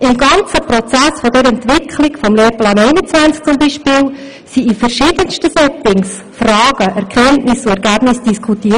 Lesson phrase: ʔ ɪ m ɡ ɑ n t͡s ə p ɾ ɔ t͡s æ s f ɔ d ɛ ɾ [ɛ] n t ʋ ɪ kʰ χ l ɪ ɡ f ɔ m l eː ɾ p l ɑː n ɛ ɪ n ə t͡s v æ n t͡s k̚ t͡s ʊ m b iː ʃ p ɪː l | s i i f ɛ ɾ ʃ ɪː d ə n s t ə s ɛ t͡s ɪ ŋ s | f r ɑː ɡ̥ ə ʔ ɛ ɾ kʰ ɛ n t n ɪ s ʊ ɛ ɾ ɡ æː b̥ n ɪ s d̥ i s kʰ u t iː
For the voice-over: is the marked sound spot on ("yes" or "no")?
yes